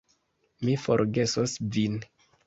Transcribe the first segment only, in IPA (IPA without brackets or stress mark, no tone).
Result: m